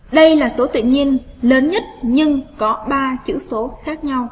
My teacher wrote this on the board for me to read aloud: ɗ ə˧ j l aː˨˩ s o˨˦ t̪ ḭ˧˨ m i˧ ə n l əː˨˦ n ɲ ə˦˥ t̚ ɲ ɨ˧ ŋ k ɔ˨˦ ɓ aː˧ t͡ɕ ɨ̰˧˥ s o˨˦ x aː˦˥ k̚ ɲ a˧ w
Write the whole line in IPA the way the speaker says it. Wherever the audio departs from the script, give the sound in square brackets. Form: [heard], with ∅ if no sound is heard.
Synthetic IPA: ɗ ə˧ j l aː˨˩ s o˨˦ t̪ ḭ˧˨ [ɲ] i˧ ə n l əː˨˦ n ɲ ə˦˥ t̚ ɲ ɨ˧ ŋ k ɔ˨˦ ɓ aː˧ t͡ɕ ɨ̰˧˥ s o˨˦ x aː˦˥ k̚ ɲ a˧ w